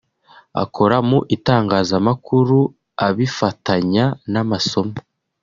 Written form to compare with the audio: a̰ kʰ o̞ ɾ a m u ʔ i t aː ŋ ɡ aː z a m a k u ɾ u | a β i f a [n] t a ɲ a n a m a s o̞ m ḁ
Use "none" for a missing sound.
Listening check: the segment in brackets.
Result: none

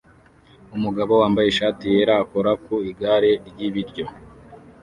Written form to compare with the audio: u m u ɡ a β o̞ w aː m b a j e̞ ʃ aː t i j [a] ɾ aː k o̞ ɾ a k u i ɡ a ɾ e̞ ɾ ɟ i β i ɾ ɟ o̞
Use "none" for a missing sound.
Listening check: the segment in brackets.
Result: e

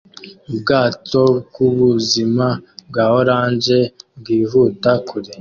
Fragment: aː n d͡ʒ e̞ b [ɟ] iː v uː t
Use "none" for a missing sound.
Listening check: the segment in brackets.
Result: ɡ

